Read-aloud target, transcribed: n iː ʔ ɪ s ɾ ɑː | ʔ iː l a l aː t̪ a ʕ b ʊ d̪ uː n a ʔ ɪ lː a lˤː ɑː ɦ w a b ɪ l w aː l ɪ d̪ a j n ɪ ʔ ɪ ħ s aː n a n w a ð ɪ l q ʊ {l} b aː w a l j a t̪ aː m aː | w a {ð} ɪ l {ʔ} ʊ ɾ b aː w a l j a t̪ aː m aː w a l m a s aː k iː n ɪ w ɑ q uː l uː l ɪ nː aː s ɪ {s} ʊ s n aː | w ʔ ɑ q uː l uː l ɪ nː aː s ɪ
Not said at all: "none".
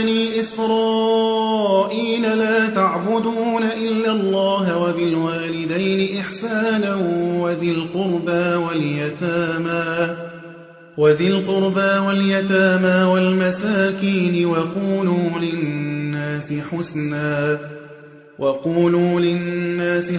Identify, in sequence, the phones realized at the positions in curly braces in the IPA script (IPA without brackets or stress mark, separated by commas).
ɾ, ð, q, ħ